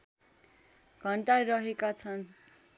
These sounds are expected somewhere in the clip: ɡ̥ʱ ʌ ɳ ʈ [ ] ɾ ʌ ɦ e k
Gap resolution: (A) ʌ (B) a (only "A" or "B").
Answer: B